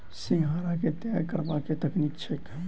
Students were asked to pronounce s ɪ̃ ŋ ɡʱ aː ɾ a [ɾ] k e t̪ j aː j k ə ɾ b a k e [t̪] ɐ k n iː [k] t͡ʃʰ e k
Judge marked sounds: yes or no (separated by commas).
no, yes, yes